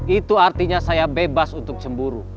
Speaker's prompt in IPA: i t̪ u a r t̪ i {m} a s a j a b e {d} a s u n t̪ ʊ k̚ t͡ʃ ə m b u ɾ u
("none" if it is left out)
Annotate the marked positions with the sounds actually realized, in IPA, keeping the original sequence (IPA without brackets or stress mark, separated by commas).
ɲ, b